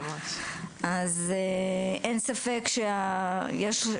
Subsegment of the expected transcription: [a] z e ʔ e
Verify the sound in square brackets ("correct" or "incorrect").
correct